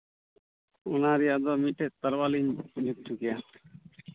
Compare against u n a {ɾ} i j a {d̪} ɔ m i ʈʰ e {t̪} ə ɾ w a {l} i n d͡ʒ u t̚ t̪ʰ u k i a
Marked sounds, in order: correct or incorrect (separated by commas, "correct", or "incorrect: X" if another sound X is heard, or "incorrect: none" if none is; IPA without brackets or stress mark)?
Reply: correct, correct, correct, correct